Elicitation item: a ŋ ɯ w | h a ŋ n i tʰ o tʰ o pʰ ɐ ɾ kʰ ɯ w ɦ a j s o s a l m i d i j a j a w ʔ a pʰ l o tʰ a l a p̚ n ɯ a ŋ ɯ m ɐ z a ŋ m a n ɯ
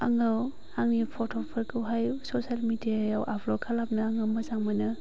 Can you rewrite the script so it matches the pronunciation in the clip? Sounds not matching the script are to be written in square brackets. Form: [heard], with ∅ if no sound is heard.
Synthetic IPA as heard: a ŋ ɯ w | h a ŋ n i [pʰ] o tʰ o pʰ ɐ ɾ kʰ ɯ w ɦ a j s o s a l m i d i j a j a w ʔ a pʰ l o [kʰ] a l a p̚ n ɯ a ŋ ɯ m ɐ z a ŋ m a n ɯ